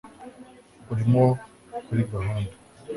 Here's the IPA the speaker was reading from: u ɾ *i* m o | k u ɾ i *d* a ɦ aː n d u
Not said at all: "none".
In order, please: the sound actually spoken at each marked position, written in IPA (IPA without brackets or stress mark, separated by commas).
i, ɡ